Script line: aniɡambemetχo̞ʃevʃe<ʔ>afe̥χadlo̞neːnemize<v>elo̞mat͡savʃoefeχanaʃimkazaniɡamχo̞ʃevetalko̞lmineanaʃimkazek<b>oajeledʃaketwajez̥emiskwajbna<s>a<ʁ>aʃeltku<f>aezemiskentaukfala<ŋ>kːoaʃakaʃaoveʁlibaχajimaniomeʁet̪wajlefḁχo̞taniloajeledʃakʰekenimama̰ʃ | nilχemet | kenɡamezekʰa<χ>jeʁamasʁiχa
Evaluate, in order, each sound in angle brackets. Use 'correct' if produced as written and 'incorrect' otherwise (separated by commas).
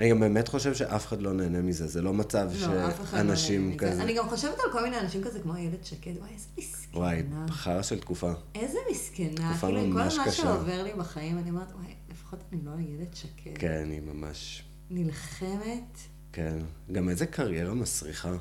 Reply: correct, incorrect, incorrect, incorrect, correct, correct, incorrect, incorrect